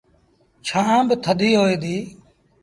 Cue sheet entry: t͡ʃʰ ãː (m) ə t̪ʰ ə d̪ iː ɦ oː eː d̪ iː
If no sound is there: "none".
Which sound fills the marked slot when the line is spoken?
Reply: b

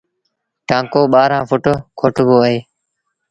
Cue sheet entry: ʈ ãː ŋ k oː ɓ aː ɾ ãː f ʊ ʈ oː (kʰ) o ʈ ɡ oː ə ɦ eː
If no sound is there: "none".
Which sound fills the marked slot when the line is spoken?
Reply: kʰ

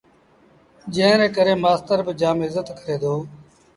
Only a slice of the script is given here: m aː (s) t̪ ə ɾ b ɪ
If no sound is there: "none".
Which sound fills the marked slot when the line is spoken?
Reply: s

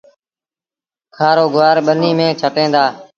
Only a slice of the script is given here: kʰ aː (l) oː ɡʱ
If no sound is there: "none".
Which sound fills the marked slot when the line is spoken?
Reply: ɾ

